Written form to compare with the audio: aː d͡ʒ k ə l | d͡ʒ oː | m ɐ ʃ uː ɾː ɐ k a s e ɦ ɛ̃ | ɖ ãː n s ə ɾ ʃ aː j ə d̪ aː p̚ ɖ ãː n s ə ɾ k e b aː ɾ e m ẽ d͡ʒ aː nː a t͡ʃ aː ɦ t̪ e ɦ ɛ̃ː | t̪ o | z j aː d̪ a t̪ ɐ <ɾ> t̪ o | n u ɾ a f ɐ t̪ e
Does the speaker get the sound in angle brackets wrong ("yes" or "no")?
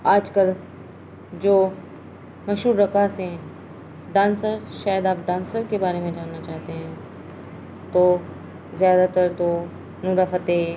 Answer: no